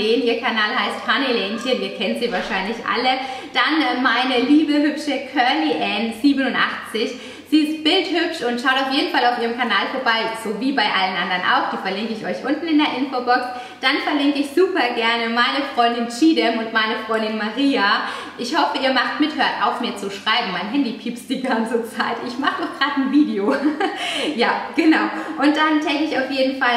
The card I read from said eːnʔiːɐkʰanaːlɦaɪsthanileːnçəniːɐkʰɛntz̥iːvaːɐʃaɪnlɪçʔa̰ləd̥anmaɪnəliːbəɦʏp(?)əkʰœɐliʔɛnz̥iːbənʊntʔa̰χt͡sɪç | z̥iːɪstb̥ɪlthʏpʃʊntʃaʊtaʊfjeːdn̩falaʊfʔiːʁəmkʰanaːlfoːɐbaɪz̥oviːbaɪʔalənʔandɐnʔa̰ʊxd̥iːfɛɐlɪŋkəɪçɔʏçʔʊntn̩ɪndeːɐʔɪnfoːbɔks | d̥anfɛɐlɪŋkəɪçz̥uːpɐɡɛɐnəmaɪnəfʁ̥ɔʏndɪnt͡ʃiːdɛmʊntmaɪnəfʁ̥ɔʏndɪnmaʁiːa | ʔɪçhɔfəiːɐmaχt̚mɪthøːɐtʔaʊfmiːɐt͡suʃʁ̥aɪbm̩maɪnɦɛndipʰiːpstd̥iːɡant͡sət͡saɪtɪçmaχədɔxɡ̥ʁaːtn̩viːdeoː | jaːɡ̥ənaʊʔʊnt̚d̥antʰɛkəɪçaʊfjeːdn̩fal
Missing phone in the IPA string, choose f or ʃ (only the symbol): ʃ